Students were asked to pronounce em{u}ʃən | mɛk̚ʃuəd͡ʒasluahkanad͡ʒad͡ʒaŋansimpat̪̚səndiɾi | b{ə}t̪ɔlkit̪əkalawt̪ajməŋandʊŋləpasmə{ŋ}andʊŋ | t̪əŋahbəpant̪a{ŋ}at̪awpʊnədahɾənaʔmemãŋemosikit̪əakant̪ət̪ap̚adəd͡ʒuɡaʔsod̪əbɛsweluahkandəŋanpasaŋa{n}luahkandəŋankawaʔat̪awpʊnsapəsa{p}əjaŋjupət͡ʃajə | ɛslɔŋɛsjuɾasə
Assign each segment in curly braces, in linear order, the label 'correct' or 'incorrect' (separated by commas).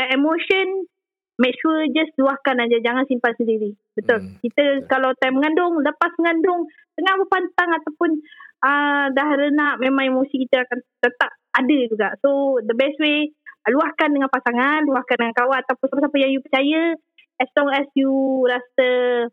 incorrect, correct, correct, correct, correct, correct